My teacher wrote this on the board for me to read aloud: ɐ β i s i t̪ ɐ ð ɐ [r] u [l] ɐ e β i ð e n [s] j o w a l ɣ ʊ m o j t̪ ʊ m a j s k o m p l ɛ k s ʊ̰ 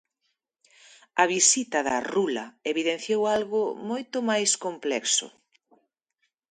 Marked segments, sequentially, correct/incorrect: correct, correct, incorrect

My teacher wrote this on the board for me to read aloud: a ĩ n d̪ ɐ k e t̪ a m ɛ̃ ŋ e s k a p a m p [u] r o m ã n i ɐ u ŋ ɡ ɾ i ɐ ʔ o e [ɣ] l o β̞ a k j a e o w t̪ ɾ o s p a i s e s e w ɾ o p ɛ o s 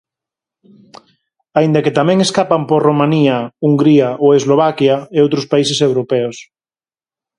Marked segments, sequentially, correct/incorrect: incorrect, incorrect

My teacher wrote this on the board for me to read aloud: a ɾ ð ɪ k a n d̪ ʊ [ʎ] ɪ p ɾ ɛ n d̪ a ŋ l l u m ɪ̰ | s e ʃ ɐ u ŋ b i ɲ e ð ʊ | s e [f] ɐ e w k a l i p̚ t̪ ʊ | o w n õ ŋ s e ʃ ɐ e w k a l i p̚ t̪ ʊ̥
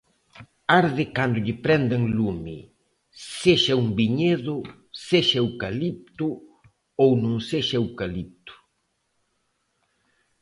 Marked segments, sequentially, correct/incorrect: correct, incorrect

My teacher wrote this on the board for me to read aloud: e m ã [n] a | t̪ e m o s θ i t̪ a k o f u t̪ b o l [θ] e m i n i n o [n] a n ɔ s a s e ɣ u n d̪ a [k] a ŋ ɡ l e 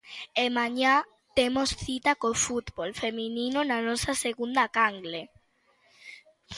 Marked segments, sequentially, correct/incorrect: incorrect, incorrect, correct, correct

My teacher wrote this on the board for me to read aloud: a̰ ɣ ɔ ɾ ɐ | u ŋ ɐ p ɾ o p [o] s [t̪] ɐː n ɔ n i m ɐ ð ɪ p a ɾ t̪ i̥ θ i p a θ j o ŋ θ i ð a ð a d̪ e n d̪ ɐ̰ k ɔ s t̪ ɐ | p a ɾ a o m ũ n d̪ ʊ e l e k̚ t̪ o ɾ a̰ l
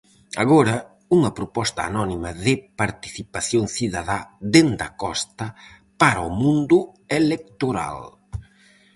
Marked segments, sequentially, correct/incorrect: incorrect, correct

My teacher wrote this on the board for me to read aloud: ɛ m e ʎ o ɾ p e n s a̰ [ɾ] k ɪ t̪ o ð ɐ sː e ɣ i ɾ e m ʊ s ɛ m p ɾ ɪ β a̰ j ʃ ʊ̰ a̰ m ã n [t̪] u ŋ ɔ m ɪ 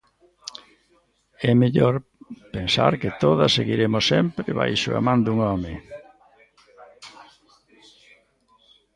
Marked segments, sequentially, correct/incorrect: correct, incorrect

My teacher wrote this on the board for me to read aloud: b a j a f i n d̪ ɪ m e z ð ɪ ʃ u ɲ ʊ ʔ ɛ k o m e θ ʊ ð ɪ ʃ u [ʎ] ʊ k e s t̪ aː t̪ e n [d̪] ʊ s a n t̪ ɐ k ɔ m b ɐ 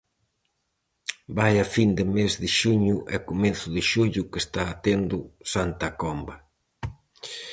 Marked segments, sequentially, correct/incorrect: correct, correct

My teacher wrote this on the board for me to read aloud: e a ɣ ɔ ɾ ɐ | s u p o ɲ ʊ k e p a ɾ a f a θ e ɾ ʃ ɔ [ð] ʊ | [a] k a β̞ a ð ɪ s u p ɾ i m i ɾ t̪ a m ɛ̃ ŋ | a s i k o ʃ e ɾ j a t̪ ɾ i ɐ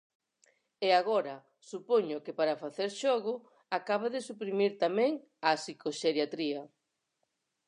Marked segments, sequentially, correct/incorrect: incorrect, correct

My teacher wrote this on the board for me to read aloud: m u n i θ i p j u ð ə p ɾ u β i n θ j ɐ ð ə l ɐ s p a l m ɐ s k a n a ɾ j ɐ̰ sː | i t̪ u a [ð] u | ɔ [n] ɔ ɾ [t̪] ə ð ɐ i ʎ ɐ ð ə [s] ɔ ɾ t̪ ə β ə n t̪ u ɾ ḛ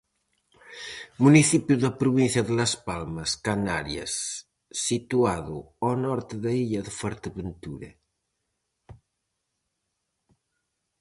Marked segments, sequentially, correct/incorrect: correct, correct, correct, incorrect

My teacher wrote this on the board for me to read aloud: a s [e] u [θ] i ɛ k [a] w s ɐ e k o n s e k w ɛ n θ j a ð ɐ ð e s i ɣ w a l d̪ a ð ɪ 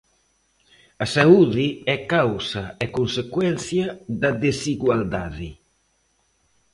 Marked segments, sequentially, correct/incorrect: incorrect, incorrect, correct

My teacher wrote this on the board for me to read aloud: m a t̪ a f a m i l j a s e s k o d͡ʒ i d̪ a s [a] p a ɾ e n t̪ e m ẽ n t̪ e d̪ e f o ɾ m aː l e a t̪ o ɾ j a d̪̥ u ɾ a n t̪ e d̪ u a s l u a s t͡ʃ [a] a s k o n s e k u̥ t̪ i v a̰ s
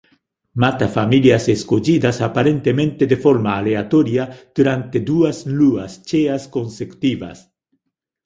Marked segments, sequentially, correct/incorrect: correct, incorrect

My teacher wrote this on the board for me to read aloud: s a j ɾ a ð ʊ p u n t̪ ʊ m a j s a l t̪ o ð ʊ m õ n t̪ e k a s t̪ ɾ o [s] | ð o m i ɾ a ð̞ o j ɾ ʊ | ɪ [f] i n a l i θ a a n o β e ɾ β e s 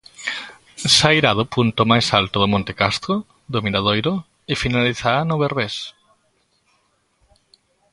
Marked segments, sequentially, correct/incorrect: incorrect, correct

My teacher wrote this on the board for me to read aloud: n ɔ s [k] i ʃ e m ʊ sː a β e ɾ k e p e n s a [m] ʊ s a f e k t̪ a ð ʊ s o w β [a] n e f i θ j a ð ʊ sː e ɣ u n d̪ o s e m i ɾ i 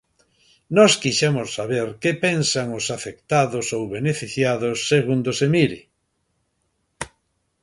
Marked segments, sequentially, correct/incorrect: correct, incorrect, incorrect

